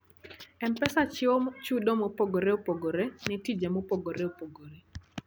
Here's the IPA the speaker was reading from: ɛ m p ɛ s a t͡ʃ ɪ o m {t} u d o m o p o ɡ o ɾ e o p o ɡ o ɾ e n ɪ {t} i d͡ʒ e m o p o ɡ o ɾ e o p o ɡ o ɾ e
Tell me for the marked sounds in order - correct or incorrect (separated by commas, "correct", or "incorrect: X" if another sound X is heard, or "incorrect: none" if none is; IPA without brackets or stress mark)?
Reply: incorrect: t͡ʃ, correct